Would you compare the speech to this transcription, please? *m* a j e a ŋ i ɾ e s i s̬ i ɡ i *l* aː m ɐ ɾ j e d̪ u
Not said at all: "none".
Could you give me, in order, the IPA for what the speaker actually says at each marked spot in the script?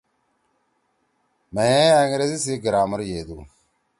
m, ɾ

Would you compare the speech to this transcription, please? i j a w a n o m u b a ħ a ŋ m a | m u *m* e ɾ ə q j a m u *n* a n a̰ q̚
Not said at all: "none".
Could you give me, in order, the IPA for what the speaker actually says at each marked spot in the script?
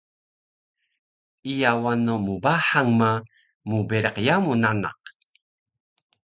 b, n

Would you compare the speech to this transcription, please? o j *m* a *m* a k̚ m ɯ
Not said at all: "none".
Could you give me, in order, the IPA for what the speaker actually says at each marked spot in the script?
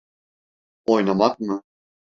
n, m

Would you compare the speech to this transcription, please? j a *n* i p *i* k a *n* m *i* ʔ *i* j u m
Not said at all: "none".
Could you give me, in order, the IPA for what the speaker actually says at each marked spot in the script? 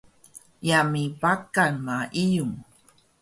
m, a, n, a, i

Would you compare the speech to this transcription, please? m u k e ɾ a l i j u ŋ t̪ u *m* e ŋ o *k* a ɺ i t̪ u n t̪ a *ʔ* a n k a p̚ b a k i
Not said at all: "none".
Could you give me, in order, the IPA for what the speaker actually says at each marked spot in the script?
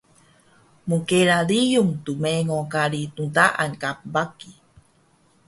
m, k, ʔ

